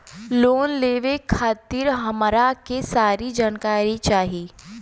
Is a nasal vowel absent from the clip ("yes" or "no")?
yes